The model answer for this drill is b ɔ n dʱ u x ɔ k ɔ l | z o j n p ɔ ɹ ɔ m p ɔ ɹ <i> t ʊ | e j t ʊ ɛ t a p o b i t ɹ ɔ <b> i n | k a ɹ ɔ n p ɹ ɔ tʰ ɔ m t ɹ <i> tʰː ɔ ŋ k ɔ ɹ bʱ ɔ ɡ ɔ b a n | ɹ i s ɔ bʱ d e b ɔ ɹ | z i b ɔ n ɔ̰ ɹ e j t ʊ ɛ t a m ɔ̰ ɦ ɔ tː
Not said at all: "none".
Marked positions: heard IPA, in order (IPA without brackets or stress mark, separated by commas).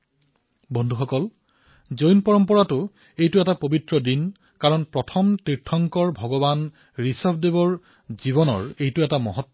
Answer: a, d, i